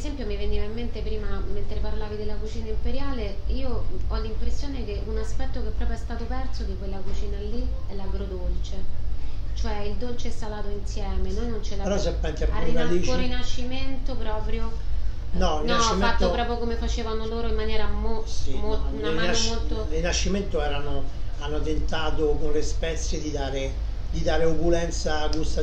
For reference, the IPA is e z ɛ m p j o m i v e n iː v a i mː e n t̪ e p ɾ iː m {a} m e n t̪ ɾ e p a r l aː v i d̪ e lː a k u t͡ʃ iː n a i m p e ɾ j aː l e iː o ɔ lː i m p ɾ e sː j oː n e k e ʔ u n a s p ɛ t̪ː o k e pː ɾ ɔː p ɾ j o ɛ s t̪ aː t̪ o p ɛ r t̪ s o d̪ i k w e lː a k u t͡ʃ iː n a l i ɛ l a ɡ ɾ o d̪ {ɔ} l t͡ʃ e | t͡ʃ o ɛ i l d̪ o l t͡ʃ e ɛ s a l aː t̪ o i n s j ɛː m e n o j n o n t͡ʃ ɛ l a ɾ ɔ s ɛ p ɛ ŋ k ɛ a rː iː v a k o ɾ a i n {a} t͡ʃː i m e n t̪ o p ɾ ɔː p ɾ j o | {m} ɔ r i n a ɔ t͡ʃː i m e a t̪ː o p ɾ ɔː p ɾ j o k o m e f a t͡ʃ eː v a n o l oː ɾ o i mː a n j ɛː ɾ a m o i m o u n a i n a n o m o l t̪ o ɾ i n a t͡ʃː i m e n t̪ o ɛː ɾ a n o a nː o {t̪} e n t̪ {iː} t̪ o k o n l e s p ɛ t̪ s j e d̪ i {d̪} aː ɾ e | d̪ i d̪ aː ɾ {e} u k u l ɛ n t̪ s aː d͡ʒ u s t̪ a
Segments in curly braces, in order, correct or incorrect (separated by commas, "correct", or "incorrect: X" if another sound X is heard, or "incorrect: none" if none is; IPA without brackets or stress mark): correct, incorrect: o, correct, incorrect: n, correct, incorrect: aː, correct, correct